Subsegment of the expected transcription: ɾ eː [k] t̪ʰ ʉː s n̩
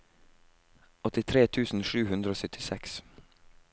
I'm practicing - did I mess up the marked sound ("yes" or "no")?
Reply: yes